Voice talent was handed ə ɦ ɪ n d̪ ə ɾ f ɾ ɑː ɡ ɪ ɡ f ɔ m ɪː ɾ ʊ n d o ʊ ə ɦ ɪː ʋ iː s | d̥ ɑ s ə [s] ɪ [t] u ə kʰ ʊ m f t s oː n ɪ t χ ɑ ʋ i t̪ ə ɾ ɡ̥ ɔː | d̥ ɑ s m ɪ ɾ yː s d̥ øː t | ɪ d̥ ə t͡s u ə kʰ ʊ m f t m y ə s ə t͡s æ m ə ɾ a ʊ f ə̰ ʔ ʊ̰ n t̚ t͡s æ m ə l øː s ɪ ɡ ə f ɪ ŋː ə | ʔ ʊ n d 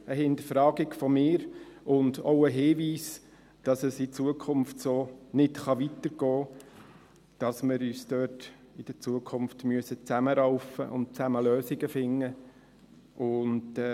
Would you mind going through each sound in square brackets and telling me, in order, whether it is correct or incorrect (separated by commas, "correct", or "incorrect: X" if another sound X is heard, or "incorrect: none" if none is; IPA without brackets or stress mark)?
correct, incorrect: t͡s